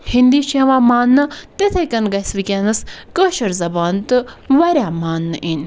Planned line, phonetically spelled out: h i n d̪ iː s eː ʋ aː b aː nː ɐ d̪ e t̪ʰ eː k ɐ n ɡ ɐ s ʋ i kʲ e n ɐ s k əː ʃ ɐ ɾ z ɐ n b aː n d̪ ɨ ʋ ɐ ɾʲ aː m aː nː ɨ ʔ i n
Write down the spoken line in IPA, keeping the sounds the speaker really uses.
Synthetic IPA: h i n d̪ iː ʃ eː ʋ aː m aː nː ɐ t̪ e t̪ʰ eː k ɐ n ɡ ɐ s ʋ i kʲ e n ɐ s k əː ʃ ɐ ɾ z ɐ b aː n t̪ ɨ ʋ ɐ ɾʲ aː m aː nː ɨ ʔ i n